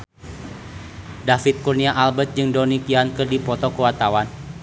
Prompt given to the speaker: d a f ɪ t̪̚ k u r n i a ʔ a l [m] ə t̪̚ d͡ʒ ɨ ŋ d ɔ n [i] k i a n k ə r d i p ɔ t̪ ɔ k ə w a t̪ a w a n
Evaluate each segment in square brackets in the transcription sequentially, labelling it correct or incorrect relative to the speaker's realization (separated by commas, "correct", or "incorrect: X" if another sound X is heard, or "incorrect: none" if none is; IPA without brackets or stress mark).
incorrect: b, correct